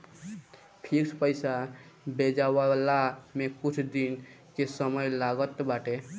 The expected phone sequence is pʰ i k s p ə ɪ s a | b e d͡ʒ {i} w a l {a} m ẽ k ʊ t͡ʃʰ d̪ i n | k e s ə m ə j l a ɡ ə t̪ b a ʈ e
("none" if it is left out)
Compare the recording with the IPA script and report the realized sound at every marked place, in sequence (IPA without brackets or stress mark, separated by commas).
a, a